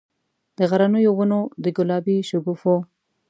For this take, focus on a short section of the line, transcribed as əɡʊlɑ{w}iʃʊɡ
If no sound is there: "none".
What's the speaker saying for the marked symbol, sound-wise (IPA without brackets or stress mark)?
b